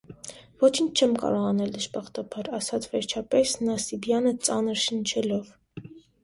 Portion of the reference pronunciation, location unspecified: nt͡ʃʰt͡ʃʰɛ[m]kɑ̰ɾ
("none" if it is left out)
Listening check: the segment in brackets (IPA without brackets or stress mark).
m